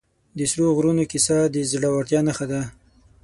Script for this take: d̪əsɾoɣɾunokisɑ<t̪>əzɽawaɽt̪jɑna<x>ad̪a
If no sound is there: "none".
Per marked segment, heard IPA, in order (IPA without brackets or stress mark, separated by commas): d̪, x